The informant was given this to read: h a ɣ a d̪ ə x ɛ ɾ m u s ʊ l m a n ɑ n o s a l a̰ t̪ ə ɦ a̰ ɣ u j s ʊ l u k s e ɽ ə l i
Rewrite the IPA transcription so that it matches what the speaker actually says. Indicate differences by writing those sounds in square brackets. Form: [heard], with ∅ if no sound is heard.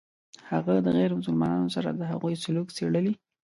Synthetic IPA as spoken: h a ɣ a d̪ ə [ɣ] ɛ ɾ m [ʊ] s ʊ l m [ɑ] n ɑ n o s a [ɾ] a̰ [d̪] ə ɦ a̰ ɣ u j s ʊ l u k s e ɽ ə l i